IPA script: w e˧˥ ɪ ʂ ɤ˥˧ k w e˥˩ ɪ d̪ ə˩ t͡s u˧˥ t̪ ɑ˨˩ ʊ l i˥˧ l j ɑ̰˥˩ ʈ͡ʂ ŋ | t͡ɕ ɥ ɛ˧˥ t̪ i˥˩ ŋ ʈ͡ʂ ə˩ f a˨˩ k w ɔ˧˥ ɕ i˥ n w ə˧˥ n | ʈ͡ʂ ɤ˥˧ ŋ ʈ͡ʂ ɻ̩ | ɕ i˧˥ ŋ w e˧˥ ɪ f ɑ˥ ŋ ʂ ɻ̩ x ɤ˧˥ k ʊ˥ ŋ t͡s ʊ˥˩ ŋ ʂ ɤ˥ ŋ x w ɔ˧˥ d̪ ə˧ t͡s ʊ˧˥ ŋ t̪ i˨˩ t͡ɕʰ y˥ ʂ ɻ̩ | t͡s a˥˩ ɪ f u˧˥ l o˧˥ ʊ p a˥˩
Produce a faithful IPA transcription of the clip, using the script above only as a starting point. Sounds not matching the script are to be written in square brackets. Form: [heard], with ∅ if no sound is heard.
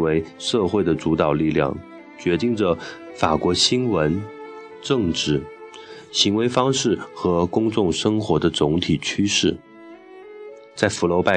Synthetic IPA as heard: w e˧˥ ɪ ʂ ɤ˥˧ [x] w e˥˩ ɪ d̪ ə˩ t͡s u˧˥ t̪ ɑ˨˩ ʊ l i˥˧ l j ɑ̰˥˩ [∅] ŋ | t͡ɕ ɥ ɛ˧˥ t̪ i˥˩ ŋ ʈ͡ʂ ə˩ f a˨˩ k w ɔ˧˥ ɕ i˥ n w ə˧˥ n | ʈ͡ʂ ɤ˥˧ ŋ ʈ͡ʂ ɻ̩ | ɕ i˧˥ ŋ w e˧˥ ɪ f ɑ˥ ŋ ʂ ɻ̩ x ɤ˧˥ k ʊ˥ ŋ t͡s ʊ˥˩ ŋ ʂ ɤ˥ ŋ x w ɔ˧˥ d̪ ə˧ t͡s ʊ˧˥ ŋ [t̪ʰ] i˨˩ t͡ɕʰ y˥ ʂ ɻ̩ | t͡s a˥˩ ɪ f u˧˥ l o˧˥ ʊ p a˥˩